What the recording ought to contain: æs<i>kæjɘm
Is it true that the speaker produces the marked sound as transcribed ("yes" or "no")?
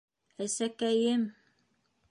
no